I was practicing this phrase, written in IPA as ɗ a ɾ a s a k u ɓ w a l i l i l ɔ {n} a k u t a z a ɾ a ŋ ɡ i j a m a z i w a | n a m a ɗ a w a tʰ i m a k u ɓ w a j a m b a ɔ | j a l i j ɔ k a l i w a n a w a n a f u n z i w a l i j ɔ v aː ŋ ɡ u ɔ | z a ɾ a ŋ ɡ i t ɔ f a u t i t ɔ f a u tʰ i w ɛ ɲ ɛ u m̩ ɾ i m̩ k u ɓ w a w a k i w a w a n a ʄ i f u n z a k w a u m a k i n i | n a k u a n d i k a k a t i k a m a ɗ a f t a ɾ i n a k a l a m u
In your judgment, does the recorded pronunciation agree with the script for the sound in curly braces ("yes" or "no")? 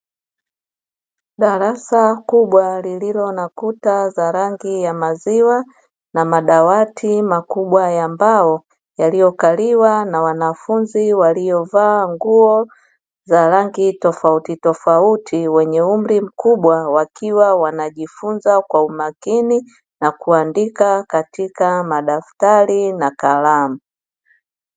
yes